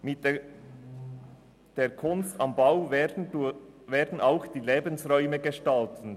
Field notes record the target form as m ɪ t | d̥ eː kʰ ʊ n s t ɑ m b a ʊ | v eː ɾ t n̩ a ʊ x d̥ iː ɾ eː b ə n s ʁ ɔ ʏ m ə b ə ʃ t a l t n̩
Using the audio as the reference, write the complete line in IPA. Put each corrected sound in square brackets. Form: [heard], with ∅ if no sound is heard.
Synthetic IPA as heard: m ɪ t | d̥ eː kʰ ʊ n s t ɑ m b a ʊ | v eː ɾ [d] n̩ a ʊ x d̥ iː [l] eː b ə n s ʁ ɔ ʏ m ə [ɡ] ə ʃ t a l t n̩